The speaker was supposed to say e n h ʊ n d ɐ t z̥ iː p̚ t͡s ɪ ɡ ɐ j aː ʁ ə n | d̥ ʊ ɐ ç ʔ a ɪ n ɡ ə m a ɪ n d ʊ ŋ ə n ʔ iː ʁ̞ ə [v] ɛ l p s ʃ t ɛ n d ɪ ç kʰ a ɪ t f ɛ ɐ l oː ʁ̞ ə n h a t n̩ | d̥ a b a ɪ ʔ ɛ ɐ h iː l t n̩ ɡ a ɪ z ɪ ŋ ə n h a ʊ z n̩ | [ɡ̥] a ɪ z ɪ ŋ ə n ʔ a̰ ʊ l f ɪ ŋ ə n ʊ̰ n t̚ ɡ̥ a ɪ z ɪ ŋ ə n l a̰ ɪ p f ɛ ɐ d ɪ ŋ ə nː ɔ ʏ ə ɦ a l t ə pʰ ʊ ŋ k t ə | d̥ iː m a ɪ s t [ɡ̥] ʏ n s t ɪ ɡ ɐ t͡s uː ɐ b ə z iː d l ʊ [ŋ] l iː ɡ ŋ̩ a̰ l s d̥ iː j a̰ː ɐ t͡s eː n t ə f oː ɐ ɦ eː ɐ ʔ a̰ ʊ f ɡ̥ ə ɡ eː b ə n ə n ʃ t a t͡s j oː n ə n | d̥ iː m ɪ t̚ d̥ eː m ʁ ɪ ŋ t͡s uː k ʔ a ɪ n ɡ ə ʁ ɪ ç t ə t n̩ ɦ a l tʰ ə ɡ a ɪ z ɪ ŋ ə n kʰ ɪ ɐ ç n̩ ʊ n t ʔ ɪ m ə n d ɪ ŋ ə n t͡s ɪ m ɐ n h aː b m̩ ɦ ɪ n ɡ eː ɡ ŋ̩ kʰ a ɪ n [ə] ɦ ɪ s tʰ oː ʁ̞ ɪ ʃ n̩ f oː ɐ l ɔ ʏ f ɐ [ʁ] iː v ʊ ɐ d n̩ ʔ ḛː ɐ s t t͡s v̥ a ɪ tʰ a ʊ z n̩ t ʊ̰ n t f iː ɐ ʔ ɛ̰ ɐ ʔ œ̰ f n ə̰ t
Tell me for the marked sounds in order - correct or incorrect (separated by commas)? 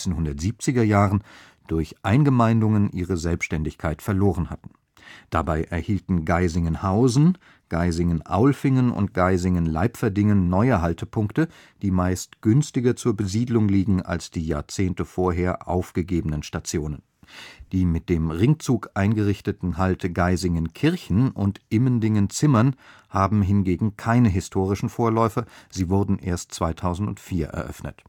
incorrect, correct, correct, correct, correct, incorrect